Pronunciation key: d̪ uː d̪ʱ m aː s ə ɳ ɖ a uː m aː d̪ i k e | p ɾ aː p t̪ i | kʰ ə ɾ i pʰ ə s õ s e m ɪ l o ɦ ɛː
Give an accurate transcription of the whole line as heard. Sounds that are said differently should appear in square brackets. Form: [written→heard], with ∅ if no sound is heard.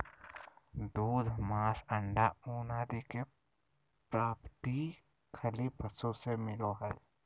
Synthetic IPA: d̪ uː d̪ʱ m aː s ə ɳ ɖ a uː [m→n] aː d̪ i k e | p ɾ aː p t̪ i | kʰ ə [ɾ→l] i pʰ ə s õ s e m ɪ l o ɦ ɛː